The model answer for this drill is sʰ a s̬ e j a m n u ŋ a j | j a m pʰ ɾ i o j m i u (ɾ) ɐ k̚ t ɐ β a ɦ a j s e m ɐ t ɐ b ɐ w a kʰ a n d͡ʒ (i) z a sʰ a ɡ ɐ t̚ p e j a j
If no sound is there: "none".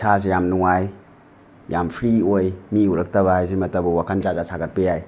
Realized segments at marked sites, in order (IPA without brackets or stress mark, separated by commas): ɾ, a